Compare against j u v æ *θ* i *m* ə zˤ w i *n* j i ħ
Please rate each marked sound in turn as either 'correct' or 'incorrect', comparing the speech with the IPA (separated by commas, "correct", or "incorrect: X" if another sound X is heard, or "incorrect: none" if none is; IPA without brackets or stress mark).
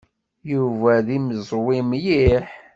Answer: incorrect: ð, correct, incorrect: m